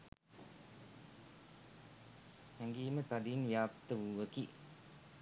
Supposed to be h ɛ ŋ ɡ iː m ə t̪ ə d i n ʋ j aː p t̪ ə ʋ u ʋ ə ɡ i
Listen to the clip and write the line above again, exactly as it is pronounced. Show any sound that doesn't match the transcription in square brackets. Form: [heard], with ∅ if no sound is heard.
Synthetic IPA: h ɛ ŋ ɡ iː m ə t̪ [a] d i n ʋ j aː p t̪ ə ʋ u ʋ ə [k] i